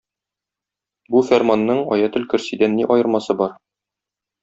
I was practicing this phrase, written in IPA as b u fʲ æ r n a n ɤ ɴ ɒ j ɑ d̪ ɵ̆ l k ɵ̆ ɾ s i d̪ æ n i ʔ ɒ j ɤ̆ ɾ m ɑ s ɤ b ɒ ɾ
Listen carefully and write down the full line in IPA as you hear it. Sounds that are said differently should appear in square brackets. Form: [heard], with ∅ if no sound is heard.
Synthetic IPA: b u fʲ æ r [m] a [nː] ɤ ɴ ɒ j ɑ [t̪] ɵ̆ l k ɵ̆ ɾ s i d̪ æ [nː] i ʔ ɒ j ɤ̆ ɾ m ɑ s ɤ b ɒ ɾ